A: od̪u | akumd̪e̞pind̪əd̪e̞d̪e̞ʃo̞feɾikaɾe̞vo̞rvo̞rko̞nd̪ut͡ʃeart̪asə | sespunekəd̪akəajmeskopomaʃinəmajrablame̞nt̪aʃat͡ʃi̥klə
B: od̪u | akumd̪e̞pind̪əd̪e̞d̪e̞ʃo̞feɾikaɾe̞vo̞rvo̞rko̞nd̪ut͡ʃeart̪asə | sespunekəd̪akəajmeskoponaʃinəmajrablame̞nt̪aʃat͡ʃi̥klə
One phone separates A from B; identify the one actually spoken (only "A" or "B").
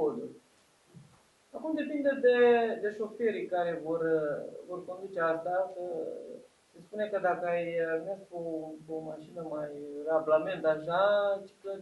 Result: A